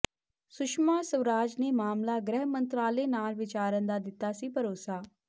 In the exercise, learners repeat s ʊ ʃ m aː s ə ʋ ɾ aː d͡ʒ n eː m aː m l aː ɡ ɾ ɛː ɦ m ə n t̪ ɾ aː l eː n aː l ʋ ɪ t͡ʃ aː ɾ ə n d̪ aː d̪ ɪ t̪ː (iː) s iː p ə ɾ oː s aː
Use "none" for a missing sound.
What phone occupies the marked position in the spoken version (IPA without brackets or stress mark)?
aː